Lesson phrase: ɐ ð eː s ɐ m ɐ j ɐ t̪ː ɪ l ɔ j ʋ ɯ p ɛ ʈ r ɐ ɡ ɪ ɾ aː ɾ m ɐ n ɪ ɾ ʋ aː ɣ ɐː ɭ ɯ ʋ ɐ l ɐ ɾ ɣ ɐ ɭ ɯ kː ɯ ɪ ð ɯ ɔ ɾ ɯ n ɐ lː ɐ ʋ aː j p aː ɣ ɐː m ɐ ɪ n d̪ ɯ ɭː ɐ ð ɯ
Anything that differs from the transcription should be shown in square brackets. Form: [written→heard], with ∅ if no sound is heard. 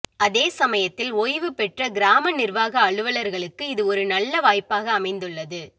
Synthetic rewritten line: ɐ ð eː s ɐ m ɐ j ɐ t̪ː ɪ l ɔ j ʋ ɯ p ɛ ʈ r ɐ ɡ ɪ ɾ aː [ɾ→∅] m ɐ n ɪ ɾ ʋ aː ɣ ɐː ɭ ɯ ʋ ɐ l ɐ ɾ ɣ ɐ ɭ ɯ kː ɯ ɪ ð ɯ ɔ ɾ ɯ n ɐ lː ɐ ʋ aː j p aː ɣ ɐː m ɐ ɪ n d̪ ɯ ɭː ɐ ð ɯ